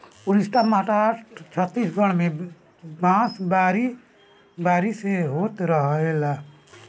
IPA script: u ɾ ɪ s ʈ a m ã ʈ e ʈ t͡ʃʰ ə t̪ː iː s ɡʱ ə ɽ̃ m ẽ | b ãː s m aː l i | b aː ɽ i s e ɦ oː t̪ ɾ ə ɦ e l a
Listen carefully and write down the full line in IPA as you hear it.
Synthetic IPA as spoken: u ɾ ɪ s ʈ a m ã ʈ a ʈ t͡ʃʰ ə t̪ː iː s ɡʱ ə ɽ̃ m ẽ | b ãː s b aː ɾ i | b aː ɾ i s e ɦ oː t̪ ɾ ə ɦ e l a